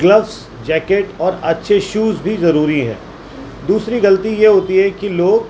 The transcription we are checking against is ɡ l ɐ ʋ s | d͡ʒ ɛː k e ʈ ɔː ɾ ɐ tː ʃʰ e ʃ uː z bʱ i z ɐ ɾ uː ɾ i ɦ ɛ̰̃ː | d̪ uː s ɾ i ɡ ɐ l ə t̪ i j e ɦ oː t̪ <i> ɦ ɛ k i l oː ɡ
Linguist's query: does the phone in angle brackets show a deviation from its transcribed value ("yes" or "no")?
no